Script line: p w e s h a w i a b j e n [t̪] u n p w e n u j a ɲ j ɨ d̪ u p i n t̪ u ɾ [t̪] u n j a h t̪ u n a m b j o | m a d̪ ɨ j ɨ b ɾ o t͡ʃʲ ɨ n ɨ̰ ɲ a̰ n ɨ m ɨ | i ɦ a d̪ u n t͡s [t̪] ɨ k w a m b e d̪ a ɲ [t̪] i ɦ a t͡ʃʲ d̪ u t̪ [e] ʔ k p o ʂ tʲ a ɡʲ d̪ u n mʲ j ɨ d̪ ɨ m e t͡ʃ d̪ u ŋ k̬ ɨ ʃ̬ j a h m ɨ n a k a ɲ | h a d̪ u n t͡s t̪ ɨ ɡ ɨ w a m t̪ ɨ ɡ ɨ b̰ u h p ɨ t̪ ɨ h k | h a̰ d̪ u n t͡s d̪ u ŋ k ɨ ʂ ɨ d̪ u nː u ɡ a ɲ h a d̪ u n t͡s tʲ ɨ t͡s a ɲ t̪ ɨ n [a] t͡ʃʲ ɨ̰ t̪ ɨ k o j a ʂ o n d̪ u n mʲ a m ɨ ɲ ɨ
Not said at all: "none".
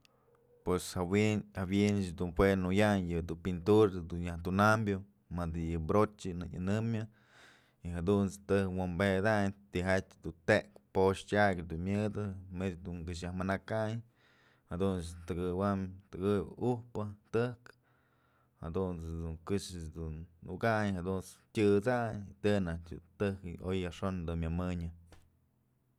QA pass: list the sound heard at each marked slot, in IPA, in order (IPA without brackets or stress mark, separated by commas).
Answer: d̪, d̪, t̪, t̪, e, a